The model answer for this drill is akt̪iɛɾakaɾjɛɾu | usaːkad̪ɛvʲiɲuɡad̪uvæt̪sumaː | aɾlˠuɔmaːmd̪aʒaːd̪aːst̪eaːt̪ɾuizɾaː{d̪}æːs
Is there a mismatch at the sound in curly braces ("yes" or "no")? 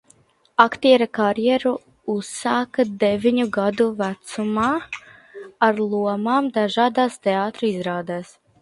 no